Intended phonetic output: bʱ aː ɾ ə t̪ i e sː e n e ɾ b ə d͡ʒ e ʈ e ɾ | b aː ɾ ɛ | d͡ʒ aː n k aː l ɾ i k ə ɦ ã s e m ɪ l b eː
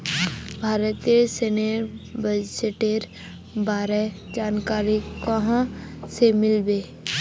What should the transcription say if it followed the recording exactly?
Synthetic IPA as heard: bʱ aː ɾ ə t̪ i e s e n e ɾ b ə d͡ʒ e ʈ e ɾ | b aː ɾ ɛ | d͡ʒ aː n k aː ɾ i k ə ɦ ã s e m ɪ l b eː